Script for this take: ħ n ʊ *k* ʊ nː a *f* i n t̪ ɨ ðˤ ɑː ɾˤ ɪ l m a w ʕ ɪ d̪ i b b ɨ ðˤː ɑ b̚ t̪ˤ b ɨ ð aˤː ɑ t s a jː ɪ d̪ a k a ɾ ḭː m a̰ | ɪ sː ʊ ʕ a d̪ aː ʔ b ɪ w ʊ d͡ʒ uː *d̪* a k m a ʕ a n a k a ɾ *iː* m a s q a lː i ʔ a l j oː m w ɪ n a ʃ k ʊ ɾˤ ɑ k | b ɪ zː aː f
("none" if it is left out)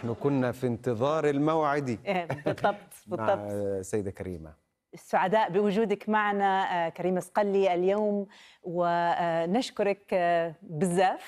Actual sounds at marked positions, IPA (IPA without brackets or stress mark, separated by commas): k, f, d̪, iː